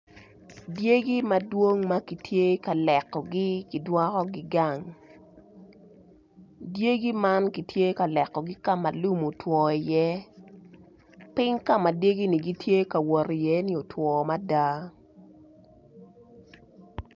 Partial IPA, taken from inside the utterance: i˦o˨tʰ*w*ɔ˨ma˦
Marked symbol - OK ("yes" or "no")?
yes